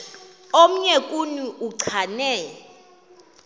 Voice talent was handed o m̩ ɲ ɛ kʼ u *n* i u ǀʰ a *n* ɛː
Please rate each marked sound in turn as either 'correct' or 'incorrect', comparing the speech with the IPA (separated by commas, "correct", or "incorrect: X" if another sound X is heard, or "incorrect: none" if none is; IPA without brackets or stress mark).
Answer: correct, correct